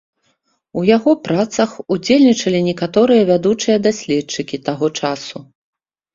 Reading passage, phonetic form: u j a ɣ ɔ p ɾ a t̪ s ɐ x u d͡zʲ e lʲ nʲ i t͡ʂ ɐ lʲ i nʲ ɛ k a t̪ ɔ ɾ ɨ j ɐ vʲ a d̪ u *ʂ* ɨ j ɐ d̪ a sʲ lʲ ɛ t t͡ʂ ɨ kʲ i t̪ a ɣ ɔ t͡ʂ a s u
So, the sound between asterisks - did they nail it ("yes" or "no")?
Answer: no